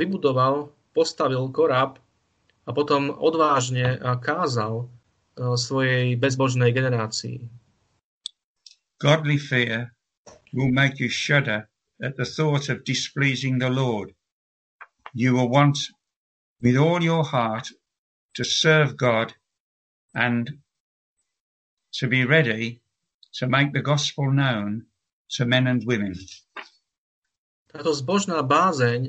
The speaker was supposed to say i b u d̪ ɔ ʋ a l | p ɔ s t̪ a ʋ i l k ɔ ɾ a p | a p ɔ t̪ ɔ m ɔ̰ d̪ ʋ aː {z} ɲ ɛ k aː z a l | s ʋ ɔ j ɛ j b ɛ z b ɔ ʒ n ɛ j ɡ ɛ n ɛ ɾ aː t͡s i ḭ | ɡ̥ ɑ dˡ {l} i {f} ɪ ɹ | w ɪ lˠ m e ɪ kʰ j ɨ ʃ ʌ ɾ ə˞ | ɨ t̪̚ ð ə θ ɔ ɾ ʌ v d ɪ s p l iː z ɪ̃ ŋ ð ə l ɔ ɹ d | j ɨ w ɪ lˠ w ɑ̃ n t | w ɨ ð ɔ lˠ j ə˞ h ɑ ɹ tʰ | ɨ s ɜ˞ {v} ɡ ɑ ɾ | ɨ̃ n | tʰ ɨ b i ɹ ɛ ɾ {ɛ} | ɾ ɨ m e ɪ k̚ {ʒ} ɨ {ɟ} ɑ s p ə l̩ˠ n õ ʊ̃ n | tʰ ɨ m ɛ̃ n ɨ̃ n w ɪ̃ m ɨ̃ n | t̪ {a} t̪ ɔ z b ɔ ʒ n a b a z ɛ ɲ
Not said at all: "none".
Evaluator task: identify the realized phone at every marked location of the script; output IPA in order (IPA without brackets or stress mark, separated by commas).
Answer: ʒ, l, f, v, i, ð, ɡ, a